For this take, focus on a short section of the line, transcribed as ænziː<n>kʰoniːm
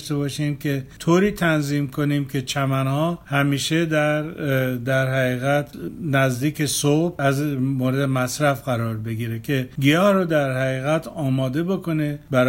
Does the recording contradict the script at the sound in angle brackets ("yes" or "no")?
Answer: yes